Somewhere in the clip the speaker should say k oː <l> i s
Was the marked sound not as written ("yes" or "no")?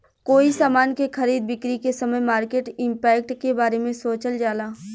yes